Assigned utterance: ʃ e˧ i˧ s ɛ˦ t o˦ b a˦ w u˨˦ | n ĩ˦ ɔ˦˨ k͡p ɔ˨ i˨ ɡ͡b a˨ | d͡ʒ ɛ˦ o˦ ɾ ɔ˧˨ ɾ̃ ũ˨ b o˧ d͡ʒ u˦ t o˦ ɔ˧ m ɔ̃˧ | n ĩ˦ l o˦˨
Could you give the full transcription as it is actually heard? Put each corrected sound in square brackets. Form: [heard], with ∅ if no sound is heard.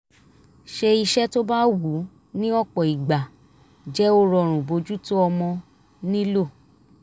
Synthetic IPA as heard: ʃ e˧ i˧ [ʃ] ɛ˦ t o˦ b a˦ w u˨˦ | n ĩ˦ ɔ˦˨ k͡p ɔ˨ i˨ ɡ͡b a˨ | d͡ʒ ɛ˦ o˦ ɾ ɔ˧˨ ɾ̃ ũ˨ b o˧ d͡ʒ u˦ t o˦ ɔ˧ m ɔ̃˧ | n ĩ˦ l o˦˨